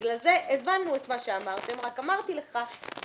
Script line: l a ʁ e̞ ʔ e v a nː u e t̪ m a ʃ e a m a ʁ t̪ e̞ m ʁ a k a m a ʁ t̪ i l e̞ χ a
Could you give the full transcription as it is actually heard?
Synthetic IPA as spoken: l a z e̞ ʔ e v a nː u e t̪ m a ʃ e a m a ʁ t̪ e̞ m ʁ a k a m a ʁ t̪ i l e̞ χ a